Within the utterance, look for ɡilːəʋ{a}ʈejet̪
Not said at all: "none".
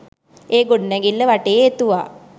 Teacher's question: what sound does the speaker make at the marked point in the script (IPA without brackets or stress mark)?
a